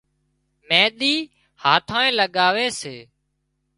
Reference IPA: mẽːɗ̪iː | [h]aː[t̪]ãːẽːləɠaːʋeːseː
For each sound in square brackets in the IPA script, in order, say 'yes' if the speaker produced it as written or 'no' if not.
yes, no

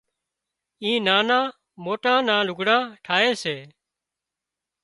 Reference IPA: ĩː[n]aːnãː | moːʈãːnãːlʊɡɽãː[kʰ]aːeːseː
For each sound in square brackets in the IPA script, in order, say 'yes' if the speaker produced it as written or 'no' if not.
yes, no

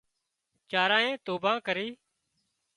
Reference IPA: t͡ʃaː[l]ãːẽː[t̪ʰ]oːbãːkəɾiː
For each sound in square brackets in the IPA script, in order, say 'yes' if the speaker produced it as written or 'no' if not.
no, no

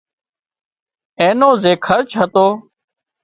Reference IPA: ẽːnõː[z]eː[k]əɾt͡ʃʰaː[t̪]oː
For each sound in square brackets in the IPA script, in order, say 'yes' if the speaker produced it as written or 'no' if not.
yes, no, yes

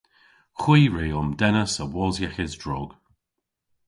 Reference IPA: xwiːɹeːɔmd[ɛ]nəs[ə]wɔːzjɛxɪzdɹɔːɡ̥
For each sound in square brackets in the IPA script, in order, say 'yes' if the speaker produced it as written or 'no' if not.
yes, yes

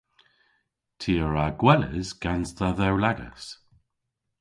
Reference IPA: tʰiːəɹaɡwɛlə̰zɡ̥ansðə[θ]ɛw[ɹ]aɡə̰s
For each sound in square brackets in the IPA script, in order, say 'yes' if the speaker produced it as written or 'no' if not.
no, no

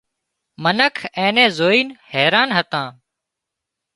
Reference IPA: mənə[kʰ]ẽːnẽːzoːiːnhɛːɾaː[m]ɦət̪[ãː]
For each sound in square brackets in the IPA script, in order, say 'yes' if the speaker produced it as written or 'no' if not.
yes, no, yes

